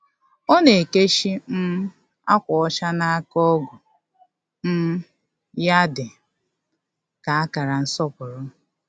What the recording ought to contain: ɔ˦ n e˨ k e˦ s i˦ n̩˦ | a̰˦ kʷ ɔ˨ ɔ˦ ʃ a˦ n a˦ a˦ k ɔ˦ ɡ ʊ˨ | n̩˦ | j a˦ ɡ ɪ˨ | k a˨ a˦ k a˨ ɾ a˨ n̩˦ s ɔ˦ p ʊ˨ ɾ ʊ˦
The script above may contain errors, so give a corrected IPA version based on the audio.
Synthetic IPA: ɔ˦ n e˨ k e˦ ʃ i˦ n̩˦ | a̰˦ kʷ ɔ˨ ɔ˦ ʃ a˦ n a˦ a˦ k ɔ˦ ɡ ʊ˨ | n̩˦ | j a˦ d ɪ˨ | k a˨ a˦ k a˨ ɾ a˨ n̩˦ s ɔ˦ p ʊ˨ ɾ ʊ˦